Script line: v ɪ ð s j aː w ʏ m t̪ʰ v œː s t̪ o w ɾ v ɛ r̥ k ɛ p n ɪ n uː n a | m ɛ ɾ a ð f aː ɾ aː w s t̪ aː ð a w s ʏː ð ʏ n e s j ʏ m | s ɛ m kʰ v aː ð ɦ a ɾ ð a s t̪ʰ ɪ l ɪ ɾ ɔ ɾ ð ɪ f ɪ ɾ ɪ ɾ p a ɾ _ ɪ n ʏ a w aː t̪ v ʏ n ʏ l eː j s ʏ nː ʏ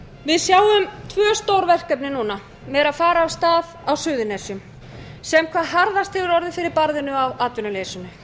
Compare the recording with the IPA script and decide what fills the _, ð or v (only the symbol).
ð